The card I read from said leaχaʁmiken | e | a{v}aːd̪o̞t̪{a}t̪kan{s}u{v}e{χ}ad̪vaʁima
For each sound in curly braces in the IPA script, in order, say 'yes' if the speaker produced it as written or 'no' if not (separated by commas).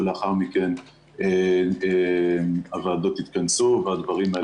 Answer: yes, no, yes, yes, no